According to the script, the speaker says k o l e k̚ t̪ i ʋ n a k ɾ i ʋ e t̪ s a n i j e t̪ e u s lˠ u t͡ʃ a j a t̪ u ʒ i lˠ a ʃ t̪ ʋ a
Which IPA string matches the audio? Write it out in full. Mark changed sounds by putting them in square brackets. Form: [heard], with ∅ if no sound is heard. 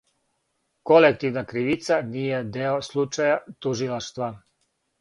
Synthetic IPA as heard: k o l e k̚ t̪ i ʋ n a k ɾ i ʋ [i] t̪ s a n i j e [d̪] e [o] s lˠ u t͡ʃ a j a t̪ u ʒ i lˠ a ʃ t̪ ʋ a